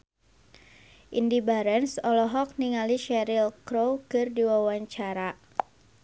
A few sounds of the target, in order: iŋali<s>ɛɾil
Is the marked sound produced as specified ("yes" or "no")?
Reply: no